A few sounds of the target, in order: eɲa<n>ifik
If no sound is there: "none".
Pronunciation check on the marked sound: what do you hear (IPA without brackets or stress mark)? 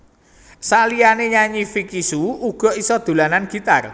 ɲ